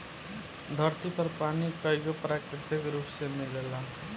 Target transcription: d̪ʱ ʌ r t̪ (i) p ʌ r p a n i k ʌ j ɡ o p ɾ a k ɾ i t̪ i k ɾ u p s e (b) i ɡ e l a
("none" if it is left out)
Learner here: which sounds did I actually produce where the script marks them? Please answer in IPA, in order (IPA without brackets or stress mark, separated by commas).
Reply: i, m